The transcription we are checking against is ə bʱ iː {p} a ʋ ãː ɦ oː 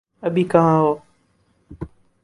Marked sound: incorrect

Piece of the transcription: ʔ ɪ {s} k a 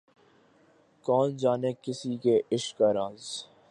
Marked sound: incorrect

